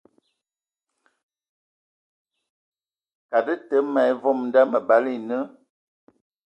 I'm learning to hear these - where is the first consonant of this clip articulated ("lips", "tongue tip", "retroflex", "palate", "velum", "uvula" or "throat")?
velum